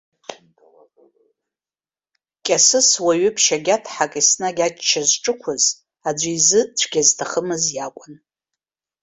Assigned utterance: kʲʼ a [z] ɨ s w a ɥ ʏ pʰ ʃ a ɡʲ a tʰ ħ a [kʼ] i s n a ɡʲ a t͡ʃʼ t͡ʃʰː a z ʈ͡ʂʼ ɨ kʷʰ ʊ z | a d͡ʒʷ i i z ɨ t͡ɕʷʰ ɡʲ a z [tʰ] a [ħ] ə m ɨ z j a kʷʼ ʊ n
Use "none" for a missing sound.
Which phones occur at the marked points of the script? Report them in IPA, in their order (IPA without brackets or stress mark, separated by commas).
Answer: s, kʼ, tʰ, χ